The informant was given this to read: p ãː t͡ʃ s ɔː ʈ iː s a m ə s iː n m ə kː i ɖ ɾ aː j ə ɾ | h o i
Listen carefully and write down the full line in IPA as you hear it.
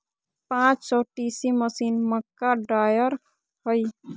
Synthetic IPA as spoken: p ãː t͡ʃ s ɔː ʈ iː s i m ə s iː n m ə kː a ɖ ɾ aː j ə ɾ | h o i